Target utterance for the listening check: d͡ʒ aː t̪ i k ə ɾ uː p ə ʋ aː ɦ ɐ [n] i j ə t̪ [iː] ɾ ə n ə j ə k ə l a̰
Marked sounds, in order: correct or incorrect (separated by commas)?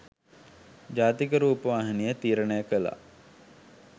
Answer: correct, correct